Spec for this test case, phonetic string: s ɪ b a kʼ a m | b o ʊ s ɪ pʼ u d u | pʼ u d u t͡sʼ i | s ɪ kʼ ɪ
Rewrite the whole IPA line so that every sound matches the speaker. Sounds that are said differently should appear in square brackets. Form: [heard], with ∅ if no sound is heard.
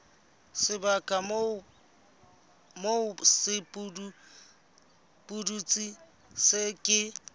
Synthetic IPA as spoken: s ɪ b a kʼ a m | [m] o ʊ s ɪ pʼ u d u | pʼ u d u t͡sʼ i | s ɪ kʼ ɪ